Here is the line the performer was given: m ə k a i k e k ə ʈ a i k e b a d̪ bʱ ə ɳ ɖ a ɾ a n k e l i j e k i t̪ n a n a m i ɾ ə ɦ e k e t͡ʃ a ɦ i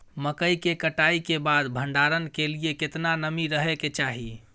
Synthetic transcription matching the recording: m ə k ə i k e k ə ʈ a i k e b a d̪ bʱ ə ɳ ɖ a ɾ ə n k e l i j e k e t̪ n a n ə m i ɾ ə ɦ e k e t͡ʃ a ɦ i